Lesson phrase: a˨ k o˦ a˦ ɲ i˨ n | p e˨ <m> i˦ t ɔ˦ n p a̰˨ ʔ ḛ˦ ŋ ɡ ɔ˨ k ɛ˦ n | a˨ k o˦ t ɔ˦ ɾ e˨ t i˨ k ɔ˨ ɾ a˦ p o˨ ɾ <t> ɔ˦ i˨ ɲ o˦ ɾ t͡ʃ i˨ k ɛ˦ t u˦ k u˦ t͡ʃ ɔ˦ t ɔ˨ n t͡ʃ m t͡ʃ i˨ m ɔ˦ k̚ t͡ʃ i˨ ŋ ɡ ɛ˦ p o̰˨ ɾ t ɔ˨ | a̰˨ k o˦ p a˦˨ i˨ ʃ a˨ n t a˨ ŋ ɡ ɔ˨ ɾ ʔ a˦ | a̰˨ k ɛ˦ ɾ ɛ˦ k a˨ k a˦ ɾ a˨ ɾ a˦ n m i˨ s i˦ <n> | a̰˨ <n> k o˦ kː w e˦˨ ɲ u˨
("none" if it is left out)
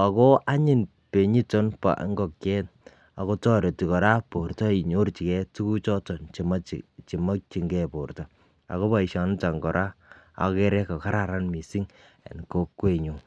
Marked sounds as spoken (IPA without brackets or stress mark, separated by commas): ɲ, t, ŋ, n